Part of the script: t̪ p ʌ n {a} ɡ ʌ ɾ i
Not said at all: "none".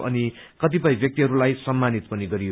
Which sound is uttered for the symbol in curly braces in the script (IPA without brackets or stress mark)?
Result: i